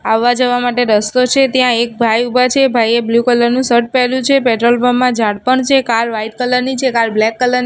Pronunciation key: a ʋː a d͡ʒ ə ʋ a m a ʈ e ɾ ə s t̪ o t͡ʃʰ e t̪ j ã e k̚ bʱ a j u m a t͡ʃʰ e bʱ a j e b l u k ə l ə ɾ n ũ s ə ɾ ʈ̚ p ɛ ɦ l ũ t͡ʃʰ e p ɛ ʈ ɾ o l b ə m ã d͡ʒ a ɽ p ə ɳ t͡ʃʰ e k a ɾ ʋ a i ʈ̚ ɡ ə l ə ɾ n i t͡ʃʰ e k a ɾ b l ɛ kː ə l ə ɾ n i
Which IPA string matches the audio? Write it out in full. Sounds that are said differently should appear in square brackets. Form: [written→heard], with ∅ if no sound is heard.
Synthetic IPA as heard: a ʋː a d͡ʒ ə ʋ a m a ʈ e ɾ ə s t̪ o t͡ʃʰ e t̪ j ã e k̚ bʱ a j u [m→b] a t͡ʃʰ e bʱ a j e b l u k ə l ə ɾ n ũ s ə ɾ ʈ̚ p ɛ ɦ l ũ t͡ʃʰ e p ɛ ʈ ɾ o l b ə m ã d͡ʒ a ɽ p ə ɳ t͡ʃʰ e k a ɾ ʋ a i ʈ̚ [ɡ→k] ə l ə ɾ n i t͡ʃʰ e k a ɾ b l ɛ kː ə l ə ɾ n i